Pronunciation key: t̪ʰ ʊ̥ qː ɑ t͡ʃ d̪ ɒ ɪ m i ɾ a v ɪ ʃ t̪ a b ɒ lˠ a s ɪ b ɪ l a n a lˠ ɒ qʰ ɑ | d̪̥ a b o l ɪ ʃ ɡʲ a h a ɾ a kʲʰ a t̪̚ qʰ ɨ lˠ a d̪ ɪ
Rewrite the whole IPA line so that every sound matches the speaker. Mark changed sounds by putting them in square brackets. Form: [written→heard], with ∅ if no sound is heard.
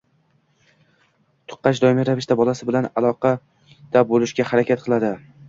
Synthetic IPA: t̪ʰ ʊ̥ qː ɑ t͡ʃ d̪ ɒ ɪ m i ɾ a v ɪ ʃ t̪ a b ɒ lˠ a s ɪ b ɪ l a n a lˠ ɒ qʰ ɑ | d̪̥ a b o l ɪ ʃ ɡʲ a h a ɾ a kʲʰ a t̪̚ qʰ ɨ lˠ a d̪ ɪ

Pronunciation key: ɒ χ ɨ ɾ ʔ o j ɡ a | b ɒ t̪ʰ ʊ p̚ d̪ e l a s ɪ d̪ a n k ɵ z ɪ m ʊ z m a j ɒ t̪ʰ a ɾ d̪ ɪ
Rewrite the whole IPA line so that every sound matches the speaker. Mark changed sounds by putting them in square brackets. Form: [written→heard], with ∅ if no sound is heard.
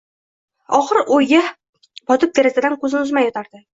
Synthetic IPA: ɒ χ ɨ ɾ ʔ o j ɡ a | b ɒ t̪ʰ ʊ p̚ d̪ e [l→ɾ] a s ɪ d̪ a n k ɵ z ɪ [m→n] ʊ z m a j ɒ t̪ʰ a ɾ d̪ ɪ

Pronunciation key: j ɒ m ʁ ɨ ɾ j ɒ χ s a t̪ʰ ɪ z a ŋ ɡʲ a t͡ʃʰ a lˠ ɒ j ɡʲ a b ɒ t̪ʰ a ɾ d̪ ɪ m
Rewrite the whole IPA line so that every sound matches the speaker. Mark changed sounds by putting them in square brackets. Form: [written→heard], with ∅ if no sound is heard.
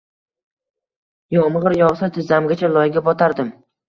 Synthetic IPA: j ɒ m ʁ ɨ ɾ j ɒ [χ→ʁ] s a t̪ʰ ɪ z a [ŋ→m] ɡʲ a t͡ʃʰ a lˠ ɒ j ɡʲ a b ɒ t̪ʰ a ɾ d̪ ɪ m

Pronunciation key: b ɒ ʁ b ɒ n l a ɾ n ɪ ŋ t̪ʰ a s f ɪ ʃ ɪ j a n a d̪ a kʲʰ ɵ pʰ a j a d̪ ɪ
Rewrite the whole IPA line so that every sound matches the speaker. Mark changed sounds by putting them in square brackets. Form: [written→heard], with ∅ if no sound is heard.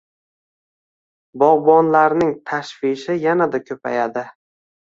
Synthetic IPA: b ɒ ʁ b ɒ n l a ɾ n ɪ ŋ t̪ʰ a [s→ʃ] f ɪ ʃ ɪ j a n a d̪ a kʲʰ ɵ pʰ a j a d̪ ɪ

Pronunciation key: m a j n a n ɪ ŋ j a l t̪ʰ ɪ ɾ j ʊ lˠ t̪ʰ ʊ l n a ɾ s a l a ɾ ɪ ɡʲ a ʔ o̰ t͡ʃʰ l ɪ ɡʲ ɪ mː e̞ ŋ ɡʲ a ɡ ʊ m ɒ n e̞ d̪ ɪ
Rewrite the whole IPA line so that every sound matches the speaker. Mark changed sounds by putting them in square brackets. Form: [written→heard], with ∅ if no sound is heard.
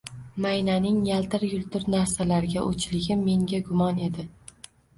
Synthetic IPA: m a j n a n ɪ ŋ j a l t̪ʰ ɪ ɾ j ʊ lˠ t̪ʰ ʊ [l→ɾ] n a ɾ s a l a ɾ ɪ ɡʲ a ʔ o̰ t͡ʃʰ l ɪ ɡʲ ɪ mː e̞ ŋ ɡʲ a ɡ ʊ m ɒ n e̞ d̪ ɪ

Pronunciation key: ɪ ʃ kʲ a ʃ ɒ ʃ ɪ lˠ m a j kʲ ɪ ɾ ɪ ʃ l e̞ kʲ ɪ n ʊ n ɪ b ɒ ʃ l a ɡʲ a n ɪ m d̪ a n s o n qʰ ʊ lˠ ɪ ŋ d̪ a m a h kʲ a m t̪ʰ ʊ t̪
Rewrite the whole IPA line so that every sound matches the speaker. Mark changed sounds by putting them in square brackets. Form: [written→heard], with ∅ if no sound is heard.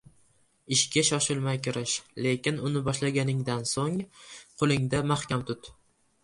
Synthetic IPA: ɪ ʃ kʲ a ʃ ɒ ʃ ɪ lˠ m a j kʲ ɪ ɾ ɪ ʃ l e̞ kʲ ɪ n ʊ n ɪ b ɒ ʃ l a ɡʲ a n ɪ [m→ŋ] d̪ a n s o [n→ŋ] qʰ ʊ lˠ ɪ ŋ d̪ a m a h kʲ a m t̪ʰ ʊ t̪

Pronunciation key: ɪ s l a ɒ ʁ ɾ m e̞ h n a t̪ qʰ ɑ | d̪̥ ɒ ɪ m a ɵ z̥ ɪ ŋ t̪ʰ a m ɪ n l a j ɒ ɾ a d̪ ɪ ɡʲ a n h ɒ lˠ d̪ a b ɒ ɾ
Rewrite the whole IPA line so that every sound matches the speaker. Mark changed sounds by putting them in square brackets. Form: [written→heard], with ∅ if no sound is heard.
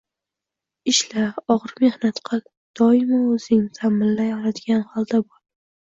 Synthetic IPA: ɪ [s→ʃ] l a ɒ ʁ ɾ m e̞ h n a t̪ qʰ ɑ | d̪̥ ɒ ɪ m a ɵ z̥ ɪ ŋ t̪ʰ a m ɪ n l a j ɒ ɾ a d̪ ɪ ɡʲ a n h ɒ lˠ d̪ a b ɒ ɾ

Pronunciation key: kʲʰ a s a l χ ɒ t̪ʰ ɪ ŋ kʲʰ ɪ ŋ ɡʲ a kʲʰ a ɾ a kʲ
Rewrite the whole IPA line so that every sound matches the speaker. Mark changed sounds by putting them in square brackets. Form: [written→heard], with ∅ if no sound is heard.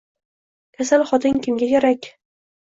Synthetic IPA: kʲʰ a s a l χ ɒ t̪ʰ ɪ ŋ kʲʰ ɪ [ŋ→m] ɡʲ a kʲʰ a ɾ a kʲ

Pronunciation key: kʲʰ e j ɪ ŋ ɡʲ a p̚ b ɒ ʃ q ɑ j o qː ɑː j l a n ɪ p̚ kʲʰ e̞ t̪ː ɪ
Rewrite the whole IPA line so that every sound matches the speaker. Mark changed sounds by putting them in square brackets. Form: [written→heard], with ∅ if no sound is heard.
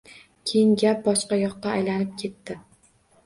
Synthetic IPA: kʲʰ e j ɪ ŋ ɡʲ a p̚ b ɒ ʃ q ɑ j [o→ɒ] qː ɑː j l a n ɪ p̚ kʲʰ e̞ t̪ː ɪ

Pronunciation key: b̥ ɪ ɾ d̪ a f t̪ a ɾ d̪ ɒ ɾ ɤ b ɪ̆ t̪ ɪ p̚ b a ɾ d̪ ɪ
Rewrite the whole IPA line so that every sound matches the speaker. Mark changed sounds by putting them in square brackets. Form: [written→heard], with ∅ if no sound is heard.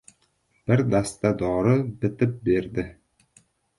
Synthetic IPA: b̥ ɪ ɾ d̪ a [f→s] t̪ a [ɾ→∅] d̪ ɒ ɾ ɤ b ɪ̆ t̪ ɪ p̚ b [a→e] ɾ d̪ ɪ

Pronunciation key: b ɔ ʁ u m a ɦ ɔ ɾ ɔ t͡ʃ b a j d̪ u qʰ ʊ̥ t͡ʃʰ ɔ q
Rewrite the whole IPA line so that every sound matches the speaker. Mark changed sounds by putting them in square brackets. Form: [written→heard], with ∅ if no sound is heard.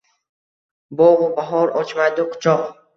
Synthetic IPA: b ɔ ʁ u [m→b] a ɦ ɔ ɾ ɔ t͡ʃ [b→m] a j d̪ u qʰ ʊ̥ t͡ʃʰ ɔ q

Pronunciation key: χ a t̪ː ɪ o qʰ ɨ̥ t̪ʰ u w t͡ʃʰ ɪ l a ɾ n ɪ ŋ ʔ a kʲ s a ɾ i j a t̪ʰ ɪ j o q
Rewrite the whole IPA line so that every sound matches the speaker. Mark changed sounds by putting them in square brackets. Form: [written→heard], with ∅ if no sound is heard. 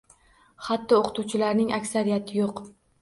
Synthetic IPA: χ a t̪ː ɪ o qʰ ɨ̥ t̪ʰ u w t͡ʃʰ ɪ l a ɾ n ɪ ŋ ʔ a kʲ s a ɾ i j a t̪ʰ ɪ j o q

